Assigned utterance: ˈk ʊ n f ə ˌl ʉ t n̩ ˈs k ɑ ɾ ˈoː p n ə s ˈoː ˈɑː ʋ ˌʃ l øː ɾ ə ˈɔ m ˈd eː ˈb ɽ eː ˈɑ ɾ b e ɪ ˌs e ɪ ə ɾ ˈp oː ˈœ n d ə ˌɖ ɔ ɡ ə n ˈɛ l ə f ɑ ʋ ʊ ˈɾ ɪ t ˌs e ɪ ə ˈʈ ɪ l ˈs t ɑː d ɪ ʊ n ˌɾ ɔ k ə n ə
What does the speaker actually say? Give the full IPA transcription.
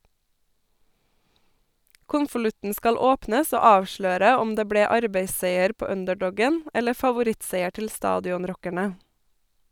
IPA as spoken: ˈk ʊ n f ə ˌl ʉ t n̩ ˈs k ɑ l ˈoː p n ə s ˈoː ˈɑː ʋ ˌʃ l øː ɾ ə ˈɔ m ˈd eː ˈb ɽ eː ˈɑ ɾ b e ɪ ˌs e ɪ ə ɾ ˈp oː ˈœ n d ə ˌɖ ɔ ɡ ə n ˈɛ l ə f ɑ ʋ ʊ ˈɾ ɪ t ˌs e ɪ ə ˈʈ ɪ l ˈs t ɑː d ɪ ʊ n ˌɾ ɔ k ə ɳ ə